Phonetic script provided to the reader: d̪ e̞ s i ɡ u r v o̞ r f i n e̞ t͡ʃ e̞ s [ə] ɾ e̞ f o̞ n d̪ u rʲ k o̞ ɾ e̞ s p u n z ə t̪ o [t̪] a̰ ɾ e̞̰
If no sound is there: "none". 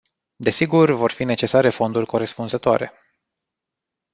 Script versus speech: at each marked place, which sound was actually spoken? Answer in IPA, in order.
a, none

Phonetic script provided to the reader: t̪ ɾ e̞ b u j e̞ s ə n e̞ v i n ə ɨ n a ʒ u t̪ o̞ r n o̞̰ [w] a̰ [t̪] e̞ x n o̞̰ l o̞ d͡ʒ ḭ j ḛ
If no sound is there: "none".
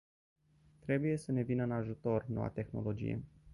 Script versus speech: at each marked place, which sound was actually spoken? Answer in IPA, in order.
w, t̪

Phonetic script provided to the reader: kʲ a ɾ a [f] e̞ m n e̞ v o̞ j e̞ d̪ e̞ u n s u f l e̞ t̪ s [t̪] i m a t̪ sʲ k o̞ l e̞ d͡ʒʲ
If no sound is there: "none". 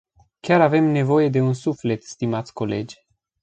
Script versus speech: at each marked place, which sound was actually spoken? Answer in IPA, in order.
v, t̪

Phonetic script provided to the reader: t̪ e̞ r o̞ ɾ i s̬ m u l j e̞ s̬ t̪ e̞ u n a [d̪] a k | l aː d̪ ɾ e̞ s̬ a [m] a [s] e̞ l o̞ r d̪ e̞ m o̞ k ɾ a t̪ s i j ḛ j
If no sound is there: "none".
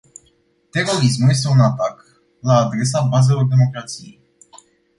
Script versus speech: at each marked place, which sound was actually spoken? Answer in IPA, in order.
t̪, b, z

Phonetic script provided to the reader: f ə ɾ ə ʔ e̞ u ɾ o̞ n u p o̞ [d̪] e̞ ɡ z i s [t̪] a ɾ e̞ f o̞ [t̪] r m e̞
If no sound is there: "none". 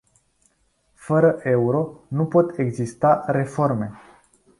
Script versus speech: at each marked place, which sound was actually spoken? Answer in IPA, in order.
t̪, t̪, none

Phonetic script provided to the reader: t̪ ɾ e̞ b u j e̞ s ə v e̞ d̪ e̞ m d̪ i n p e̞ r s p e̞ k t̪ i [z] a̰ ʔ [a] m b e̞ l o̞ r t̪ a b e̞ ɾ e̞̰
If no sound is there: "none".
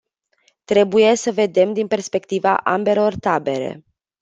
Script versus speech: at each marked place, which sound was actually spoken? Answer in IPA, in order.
v, a

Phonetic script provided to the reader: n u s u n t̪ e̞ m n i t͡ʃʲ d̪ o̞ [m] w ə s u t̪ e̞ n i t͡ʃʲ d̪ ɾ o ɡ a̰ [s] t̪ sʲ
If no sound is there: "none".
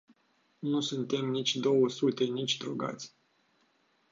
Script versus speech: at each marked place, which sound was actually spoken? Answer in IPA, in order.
none, none

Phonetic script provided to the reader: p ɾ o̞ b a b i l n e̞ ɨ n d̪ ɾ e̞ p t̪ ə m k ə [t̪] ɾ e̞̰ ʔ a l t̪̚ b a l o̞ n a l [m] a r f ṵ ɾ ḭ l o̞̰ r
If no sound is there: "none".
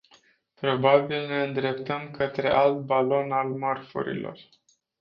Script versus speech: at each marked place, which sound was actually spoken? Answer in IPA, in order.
t̪, m

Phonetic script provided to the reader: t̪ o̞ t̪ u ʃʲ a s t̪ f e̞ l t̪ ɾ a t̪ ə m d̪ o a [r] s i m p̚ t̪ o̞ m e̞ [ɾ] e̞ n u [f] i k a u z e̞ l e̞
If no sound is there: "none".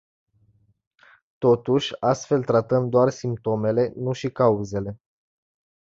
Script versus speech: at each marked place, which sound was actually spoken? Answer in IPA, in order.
r, l, ʃ

